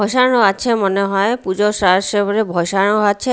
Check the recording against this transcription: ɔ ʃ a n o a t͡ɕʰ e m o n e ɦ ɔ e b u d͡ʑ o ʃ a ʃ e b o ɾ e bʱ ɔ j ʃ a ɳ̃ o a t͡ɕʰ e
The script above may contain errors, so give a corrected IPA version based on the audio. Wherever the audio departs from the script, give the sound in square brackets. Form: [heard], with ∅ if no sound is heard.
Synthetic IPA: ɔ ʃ a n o a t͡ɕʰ e m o n e ɦ ɔ e [p] u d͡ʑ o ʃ a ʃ e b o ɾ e bʱ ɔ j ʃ a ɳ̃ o a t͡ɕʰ e